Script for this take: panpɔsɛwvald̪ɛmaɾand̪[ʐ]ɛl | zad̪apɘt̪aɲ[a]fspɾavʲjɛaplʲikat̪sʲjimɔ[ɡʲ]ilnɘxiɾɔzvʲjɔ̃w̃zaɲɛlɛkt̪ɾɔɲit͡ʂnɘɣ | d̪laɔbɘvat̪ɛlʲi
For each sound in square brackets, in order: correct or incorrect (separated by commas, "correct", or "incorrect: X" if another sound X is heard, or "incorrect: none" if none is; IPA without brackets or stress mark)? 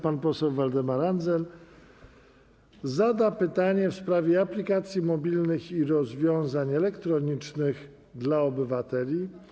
incorrect: z, incorrect: ɛ, incorrect: bʲ